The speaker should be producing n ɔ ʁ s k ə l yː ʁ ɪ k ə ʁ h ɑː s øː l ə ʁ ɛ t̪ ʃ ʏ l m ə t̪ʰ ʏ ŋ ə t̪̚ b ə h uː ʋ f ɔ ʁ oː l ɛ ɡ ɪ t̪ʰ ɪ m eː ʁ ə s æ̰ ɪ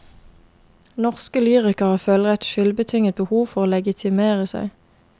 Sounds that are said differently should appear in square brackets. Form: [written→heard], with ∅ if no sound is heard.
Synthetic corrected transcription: n ɔ ʁ s k ə l yː ʁ ɪ k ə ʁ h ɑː [s→f] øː l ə ʁ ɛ t̪ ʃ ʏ l [m→b] ə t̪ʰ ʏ ŋ ə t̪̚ b ə h uː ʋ f ɔ ʁ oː l ɛ ɡ ɪ t̪ʰ ɪ m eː ʁ ə s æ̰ ɪ